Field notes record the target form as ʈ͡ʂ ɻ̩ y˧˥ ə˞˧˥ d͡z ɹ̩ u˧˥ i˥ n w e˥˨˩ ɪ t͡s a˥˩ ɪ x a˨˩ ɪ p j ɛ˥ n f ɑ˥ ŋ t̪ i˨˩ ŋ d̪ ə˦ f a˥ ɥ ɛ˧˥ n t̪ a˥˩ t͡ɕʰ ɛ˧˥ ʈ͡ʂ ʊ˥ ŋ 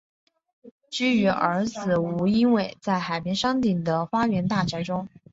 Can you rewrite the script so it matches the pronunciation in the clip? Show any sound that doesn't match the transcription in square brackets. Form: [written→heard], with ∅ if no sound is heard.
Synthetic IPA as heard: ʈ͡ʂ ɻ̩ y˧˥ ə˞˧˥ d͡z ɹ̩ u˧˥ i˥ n w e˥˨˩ ɪ t͡s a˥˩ ɪ x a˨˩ ɪ p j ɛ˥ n [f→ʂ] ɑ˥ ŋ t̪ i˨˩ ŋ d̪ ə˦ f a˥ ɥ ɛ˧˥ n t̪ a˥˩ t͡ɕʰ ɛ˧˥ ʈ͡ʂ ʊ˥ ŋ